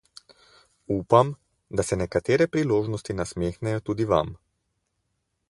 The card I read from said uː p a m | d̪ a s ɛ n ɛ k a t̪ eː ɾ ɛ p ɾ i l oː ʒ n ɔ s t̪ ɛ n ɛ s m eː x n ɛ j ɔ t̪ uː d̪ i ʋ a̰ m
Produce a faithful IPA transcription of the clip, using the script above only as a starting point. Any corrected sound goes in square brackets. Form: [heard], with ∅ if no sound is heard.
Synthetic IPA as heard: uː p a m | d̪ a s ɛ n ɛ k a t̪ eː ɾ ɛ p ɾ i l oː ʒ n ɔ s t̪ [i] n [a] s m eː x n ɛ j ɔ t̪ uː d̪ i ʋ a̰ m